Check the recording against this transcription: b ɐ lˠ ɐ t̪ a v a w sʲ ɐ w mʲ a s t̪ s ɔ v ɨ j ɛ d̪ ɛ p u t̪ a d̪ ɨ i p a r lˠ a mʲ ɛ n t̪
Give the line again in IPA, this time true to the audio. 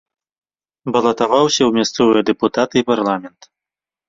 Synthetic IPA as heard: b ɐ lˠ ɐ t̪ a v a w sʲ ɐ w mʲ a s t̪ s ɔ v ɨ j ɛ d̪ ɛ p u t̪ a t̪ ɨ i p a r lˠ a mʲ ɛ n t̪